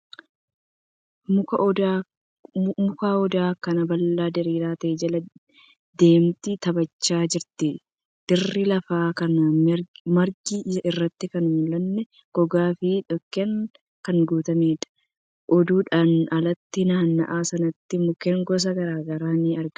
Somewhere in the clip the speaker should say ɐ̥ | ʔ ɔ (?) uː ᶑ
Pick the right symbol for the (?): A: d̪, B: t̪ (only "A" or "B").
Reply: A